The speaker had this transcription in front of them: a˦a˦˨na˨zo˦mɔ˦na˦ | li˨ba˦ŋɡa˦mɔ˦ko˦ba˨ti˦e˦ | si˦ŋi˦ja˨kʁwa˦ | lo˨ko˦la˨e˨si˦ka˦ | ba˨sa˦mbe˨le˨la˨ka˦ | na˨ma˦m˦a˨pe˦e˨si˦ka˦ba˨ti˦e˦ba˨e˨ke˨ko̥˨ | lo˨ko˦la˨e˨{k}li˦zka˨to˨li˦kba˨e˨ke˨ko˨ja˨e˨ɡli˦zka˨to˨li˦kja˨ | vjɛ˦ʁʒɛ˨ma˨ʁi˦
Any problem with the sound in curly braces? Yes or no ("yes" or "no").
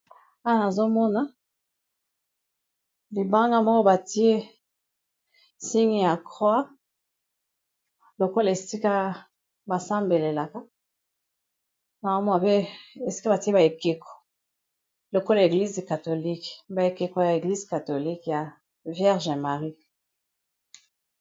yes